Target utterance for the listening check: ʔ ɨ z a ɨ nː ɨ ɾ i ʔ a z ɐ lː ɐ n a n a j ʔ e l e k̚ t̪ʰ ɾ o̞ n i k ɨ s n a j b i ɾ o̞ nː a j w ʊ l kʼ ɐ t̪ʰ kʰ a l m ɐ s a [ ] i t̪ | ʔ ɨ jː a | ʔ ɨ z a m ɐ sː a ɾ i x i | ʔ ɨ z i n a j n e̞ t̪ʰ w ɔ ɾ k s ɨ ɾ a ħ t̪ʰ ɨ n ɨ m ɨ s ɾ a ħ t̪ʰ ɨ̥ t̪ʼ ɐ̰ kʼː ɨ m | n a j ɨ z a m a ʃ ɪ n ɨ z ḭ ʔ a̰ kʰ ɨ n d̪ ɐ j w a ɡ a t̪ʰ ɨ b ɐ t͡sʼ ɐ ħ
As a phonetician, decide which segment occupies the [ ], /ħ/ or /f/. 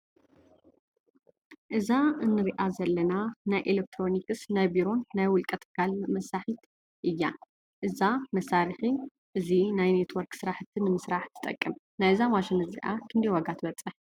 ħ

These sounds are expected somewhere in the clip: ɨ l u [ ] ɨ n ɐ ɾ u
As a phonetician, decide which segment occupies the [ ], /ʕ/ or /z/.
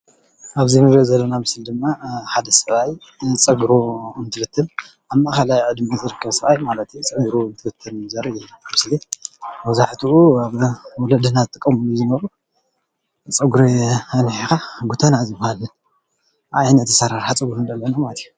z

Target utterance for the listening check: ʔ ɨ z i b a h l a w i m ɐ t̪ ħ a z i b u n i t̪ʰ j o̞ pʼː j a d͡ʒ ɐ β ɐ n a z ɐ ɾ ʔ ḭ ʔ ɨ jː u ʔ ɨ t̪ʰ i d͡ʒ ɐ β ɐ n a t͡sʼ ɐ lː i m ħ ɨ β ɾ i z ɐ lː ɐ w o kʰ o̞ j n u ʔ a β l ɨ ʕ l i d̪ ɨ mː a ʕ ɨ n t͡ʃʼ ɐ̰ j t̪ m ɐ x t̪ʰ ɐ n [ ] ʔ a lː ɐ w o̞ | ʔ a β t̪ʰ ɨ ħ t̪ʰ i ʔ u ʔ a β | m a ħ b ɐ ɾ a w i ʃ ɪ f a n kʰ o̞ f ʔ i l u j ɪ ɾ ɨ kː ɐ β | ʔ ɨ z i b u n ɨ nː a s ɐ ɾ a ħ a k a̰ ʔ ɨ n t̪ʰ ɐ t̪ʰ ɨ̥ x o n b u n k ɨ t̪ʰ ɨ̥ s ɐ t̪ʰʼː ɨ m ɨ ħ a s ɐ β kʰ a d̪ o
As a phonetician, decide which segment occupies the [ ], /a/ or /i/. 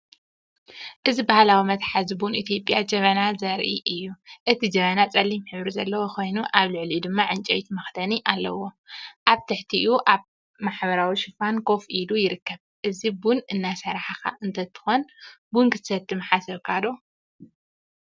i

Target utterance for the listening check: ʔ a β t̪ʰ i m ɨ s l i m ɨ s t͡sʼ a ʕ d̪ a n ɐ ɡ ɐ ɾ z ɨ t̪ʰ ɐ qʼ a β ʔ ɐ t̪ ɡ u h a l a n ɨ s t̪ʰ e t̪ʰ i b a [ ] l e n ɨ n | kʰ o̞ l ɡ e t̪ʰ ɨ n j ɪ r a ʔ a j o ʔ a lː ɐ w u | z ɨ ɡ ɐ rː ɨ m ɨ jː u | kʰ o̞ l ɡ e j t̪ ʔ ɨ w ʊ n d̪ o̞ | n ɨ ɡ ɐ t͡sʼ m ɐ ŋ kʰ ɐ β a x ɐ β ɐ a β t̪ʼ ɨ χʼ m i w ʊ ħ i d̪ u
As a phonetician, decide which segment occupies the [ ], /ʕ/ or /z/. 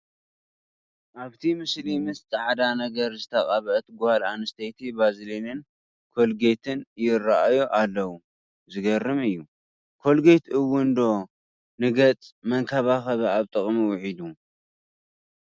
z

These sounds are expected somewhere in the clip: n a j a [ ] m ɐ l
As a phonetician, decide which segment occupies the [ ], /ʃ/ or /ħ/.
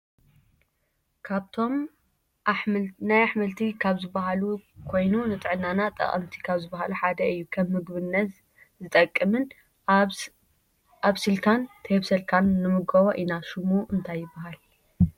ħ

